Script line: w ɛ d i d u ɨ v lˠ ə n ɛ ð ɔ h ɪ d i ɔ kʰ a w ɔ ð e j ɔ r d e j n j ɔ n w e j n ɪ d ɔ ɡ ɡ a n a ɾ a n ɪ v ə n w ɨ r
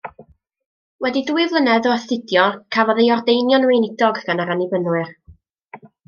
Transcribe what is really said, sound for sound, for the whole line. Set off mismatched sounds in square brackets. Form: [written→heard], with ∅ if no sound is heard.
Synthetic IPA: w ɛ d i d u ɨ v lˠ ə n ɛ ð ɔ [h→θ] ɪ d [i→j] ɔ kʰ a [w→v] ɔ ð e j ɔ r d e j n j ɔ n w e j n ɪ d ɔ ɡ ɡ a n a ɾ a n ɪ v ə n w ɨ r